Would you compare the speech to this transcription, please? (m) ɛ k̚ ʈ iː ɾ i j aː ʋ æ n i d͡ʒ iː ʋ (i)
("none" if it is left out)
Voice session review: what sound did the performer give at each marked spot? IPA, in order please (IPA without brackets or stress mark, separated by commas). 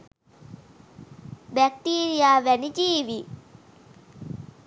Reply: b, i